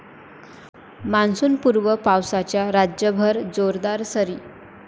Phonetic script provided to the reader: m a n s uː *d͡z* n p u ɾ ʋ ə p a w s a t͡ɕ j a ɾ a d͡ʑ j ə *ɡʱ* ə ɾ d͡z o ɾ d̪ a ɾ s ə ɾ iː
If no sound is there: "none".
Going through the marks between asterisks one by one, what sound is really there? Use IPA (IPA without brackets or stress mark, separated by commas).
none, bʱ